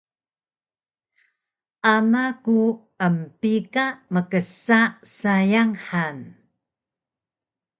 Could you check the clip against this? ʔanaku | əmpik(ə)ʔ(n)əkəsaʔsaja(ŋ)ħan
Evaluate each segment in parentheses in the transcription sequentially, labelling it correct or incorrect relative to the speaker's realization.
incorrect: a, incorrect: m, correct

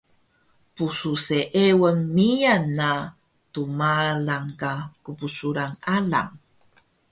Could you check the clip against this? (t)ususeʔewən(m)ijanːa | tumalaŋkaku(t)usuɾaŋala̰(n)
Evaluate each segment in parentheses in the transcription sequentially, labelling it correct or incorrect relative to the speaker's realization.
incorrect: p, correct, incorrect: p, incorrect: ŋ

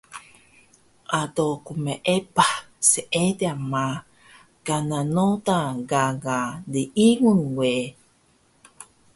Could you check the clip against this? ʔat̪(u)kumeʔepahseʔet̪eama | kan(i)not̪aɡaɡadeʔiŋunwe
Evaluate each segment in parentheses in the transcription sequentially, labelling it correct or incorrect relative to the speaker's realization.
incorrect: o, incorrect: a

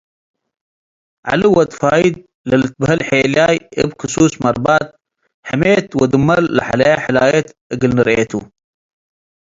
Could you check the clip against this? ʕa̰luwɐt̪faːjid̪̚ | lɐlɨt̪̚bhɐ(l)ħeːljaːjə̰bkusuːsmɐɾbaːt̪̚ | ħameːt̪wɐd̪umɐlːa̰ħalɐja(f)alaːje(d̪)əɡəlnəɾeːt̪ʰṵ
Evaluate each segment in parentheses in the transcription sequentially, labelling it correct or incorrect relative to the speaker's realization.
correct, incorrect: ħ, incorrect: t̪

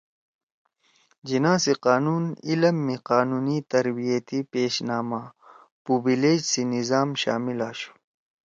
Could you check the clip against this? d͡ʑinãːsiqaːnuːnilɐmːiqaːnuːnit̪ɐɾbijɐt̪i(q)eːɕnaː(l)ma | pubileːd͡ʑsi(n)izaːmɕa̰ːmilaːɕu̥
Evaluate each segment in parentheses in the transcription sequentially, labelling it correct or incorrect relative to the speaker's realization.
incorrect: p, incorrect: none, correct

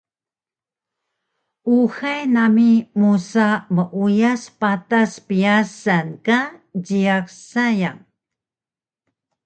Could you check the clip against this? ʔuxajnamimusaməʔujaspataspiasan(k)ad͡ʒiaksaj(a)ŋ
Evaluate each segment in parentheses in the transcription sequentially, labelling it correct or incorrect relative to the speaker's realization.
correct, correct

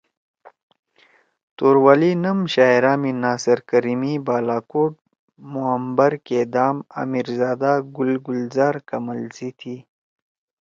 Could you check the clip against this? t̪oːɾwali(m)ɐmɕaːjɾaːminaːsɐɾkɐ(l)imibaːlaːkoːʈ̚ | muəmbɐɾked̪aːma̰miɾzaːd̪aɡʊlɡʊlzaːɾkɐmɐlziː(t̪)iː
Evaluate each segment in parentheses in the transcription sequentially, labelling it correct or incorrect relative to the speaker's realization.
incorrect: n, incorrect: ɾ, incorrect: t̪ʰ

